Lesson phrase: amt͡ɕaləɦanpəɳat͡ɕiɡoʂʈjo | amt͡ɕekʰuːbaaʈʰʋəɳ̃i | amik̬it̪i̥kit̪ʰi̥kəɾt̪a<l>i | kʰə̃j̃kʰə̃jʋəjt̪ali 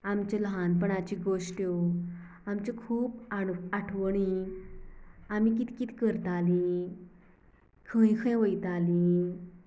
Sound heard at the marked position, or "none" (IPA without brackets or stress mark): l